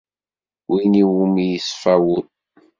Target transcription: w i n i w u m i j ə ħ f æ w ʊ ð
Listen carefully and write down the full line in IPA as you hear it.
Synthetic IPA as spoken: w i n i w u m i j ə s f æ w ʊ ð